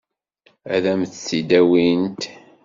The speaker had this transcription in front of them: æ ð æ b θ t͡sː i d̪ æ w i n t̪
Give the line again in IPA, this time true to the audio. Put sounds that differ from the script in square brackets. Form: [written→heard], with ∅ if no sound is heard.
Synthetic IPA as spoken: æ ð æ [b→m] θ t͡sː i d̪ æ w i n t̪